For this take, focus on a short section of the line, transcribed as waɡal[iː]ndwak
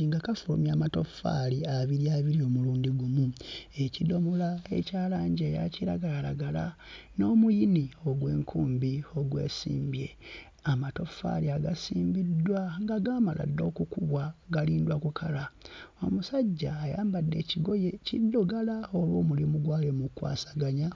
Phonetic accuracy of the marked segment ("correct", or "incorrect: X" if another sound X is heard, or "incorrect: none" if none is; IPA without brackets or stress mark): correct